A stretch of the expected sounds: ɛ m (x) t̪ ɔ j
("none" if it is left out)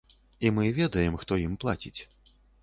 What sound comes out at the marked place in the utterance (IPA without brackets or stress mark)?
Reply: x